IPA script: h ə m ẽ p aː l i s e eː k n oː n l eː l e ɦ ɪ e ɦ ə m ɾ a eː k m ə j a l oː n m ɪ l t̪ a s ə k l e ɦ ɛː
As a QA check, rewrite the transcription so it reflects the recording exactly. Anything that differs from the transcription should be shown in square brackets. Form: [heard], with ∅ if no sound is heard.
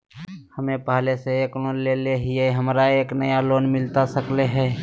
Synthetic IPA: h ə m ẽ p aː l [e] s e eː k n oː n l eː l e ɦ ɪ e ɦ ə m ɾ a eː k [n] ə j a l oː n m ɪ l t̪ a s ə k l e ɦ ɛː